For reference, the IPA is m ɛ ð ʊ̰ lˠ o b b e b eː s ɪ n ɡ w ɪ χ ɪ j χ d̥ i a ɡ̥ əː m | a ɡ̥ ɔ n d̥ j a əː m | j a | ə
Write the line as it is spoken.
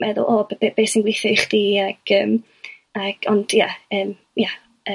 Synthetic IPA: m ɛ ð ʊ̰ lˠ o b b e b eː s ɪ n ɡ w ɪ θ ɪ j χ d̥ i a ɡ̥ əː m | a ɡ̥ ɔ n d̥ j a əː m | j a | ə